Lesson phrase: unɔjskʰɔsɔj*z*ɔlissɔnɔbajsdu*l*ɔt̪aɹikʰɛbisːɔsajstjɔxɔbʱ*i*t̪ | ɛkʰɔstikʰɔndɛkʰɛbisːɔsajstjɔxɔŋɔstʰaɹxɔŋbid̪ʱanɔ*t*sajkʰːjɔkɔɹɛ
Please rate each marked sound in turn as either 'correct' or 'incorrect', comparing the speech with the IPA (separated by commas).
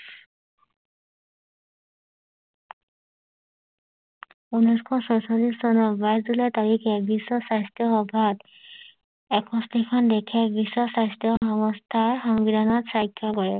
incorrect, correct, incorrect, correct